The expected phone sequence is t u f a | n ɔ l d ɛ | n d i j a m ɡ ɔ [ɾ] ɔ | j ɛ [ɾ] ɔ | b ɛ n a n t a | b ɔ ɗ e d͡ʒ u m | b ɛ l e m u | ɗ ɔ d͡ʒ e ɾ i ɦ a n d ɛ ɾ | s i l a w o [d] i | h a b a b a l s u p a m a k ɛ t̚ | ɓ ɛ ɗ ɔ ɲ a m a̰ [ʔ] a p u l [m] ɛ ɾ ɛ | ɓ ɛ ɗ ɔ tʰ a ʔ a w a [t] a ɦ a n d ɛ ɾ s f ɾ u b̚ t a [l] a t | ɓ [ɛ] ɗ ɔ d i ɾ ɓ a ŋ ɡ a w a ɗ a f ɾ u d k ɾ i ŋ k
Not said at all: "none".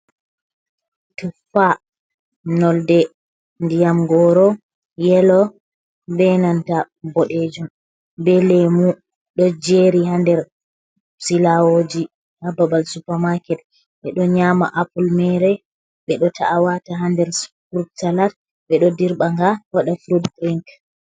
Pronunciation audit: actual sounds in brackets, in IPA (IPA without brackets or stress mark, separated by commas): ɾ, l, d͡ʒ, ʔ, m, t, l, ɛ